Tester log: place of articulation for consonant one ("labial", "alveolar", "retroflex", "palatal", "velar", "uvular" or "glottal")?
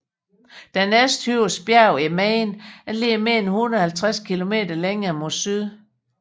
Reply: alveolar